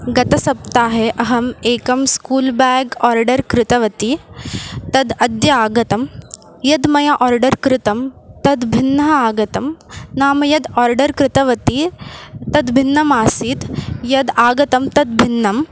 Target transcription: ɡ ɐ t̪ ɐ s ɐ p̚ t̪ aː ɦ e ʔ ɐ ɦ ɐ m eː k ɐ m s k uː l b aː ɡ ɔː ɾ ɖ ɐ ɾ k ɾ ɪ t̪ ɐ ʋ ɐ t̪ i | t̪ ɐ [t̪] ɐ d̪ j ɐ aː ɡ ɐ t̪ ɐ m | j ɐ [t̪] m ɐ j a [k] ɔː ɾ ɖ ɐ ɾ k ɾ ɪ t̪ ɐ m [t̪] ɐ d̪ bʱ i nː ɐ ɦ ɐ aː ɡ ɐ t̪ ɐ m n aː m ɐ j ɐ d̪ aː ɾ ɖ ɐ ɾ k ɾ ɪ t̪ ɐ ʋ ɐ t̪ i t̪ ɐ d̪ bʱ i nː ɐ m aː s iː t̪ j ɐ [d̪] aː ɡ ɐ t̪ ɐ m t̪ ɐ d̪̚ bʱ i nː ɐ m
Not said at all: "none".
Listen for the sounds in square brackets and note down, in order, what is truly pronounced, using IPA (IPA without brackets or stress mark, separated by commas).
d̪, d̪, ʔ, t̪, d̪